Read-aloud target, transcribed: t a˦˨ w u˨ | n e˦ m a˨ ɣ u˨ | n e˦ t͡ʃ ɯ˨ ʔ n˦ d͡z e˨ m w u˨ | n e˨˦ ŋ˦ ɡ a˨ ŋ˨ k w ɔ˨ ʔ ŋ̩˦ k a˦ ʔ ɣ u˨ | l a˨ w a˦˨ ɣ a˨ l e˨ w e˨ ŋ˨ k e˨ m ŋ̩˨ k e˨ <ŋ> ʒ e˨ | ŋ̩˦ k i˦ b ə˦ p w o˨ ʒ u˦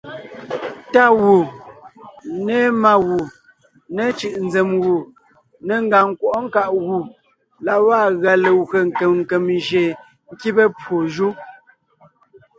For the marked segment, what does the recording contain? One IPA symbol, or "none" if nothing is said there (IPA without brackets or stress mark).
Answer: m